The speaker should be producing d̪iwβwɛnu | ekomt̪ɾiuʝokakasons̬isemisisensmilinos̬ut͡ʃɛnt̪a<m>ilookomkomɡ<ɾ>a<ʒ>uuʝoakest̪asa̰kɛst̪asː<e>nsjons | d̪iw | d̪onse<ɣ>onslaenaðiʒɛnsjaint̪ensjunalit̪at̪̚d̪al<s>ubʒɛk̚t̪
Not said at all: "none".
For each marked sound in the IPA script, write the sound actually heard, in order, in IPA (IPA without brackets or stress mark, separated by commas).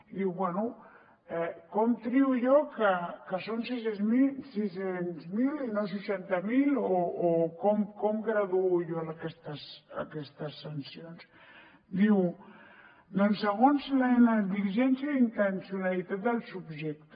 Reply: m, ɾ, ð, a, ɣ, s